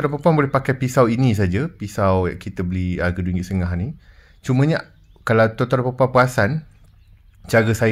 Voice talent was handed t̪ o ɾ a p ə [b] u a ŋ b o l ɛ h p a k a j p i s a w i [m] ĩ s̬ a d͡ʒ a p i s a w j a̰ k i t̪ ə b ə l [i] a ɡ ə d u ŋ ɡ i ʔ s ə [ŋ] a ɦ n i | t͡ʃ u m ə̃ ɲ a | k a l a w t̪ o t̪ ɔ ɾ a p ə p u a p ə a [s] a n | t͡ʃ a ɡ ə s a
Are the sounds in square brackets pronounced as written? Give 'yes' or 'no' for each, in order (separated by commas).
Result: no, no, yes, yes, yes